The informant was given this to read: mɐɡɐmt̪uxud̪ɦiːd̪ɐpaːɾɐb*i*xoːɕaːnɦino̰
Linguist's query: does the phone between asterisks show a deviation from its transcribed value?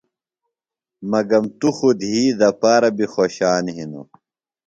no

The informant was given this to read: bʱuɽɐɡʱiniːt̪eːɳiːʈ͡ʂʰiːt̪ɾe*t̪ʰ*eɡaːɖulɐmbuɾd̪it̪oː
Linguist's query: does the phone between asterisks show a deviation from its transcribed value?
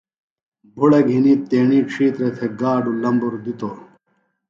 no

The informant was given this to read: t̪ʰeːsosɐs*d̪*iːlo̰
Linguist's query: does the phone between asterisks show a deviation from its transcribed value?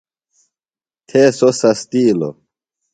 yes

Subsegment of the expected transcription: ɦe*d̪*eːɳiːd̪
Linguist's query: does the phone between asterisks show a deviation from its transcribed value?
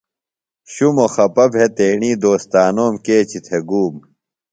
yes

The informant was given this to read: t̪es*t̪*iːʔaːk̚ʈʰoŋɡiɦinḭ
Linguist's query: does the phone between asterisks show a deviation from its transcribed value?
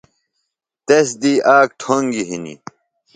yes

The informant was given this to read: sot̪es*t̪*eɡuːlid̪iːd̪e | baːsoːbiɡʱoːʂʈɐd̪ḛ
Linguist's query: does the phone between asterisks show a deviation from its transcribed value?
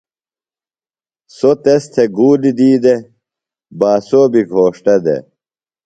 yes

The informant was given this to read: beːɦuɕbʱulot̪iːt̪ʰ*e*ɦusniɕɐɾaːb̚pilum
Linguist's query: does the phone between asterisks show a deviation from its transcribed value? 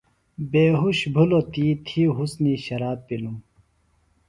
yes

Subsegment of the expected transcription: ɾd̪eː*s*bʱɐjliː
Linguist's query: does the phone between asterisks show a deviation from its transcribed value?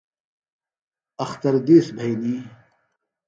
no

